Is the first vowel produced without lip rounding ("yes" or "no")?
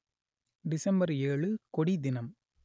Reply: yes